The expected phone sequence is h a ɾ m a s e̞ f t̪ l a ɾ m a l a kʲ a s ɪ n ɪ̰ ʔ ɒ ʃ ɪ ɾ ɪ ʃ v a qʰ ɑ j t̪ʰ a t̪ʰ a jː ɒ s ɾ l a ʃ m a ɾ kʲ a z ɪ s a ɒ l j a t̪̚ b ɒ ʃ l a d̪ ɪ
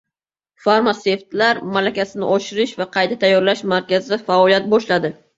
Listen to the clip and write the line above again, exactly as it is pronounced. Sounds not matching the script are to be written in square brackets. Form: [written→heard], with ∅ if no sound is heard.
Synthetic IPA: [h→f] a ɾ m a s e̞ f t̪ l a ɾ m a l a kʲ a s ɪ n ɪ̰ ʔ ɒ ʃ ɪ ɾ ɪ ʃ v a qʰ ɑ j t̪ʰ a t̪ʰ a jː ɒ [s→∅] ɾ l a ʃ m a ɾ kʲ a z ɪ [s→f] a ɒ l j a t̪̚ b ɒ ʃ l a d̪ ɪ